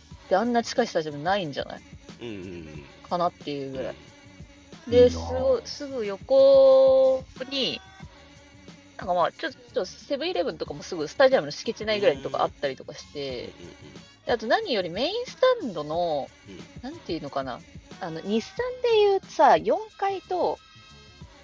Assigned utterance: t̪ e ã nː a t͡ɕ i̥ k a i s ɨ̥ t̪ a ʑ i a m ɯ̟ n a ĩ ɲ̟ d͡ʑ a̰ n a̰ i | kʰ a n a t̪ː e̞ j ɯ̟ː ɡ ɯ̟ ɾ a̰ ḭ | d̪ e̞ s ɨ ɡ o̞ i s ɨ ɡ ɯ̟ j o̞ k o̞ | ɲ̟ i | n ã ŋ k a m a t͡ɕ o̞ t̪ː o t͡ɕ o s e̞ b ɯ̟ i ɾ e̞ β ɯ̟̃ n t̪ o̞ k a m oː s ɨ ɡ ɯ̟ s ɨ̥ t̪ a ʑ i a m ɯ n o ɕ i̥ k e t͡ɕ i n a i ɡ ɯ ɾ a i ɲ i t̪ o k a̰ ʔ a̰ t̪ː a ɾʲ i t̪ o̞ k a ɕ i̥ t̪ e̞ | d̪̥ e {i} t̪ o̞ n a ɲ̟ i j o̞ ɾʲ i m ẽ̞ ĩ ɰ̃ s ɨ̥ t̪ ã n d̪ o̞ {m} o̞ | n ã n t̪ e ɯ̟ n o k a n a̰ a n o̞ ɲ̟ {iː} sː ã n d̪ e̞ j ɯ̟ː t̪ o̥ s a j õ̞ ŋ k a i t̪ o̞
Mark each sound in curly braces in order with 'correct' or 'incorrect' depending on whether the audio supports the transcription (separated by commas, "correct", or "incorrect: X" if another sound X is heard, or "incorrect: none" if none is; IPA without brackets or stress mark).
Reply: incorrect: a, incorrect: n, incorrect: i